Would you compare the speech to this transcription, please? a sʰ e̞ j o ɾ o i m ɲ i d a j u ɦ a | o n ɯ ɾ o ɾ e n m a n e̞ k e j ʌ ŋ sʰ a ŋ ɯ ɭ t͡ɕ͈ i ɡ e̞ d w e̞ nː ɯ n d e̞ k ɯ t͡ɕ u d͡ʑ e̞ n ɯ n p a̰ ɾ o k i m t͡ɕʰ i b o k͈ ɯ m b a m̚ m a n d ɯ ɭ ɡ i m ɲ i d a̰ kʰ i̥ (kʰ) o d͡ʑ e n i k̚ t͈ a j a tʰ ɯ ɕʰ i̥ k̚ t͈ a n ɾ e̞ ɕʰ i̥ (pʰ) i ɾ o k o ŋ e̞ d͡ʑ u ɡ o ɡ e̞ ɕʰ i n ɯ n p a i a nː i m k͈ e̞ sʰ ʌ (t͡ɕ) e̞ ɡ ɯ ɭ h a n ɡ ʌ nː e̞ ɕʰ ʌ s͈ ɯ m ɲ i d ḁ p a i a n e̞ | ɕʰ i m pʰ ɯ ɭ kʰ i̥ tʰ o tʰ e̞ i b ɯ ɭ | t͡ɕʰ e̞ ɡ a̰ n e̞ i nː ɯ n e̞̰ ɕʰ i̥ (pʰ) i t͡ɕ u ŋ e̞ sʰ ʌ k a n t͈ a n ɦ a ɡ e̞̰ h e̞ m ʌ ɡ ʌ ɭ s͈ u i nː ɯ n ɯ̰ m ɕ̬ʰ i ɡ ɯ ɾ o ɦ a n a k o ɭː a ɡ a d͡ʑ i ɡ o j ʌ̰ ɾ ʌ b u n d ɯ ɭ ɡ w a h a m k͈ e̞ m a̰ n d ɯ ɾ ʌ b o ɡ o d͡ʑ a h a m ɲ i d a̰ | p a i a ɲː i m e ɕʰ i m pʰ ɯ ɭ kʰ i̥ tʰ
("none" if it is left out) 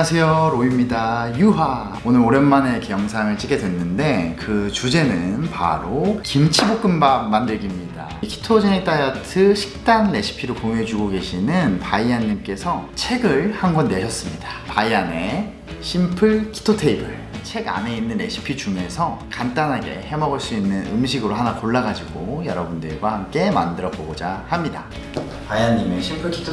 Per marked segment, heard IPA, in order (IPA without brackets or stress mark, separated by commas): tʰ, pʰ, t͡ɕʰ, pʰ